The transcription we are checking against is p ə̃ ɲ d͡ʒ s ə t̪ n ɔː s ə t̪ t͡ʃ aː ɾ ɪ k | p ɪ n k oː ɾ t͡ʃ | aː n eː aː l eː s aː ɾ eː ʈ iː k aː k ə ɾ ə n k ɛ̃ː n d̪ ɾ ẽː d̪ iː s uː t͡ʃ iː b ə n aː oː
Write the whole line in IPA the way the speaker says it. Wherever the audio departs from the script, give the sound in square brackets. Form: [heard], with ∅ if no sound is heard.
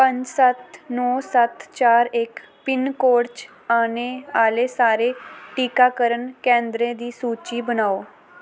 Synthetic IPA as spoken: p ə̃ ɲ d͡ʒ s ə t̪ n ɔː s ə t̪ t͡ʃ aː ɾ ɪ k | p ɪ n k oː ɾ t͡ʃ | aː n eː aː l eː s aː ɾ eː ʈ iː k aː k ə ɾ ə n k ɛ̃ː n d̪ ɾ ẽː d̪ iː s uː t͡ʃ iː b ə n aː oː